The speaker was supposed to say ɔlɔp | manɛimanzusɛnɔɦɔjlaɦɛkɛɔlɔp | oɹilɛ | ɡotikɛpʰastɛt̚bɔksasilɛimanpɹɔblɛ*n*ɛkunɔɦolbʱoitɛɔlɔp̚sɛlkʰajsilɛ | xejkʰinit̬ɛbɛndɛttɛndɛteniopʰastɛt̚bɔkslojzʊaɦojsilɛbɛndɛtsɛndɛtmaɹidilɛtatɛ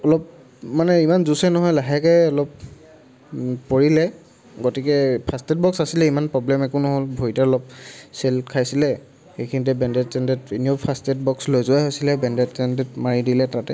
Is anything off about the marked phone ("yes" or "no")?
yes